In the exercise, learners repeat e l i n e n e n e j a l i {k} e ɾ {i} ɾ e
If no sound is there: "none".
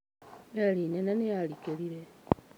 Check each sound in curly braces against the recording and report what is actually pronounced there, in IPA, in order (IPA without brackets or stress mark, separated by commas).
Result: k, i